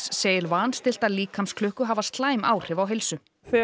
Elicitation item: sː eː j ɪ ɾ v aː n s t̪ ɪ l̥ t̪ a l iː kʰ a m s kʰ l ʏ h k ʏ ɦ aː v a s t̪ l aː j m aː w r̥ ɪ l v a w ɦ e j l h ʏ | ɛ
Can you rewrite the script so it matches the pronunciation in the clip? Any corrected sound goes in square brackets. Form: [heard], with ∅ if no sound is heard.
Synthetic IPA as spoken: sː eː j ɪ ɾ v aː n s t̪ ɪ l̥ t̪ a l iː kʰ a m s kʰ l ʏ h k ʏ ɦ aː v a s t̪ l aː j m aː w r̥ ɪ [∅] v a w ɦ e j l [s] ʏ | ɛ